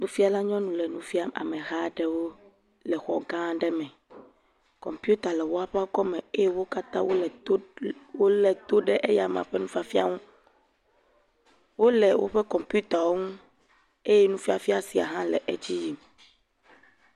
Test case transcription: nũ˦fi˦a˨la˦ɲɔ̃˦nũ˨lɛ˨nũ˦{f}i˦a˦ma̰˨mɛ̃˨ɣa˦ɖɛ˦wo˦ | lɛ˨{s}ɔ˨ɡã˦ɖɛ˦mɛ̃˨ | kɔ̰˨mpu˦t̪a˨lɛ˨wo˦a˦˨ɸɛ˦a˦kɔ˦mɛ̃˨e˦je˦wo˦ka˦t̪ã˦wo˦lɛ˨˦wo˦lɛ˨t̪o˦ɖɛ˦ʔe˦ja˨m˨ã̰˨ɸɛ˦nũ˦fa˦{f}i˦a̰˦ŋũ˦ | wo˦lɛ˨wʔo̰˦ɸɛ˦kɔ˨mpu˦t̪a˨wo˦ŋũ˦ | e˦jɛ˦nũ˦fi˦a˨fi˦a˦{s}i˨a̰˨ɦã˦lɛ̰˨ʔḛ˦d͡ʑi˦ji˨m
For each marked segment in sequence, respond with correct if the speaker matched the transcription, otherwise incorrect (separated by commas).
correct, incorrect, correct, correct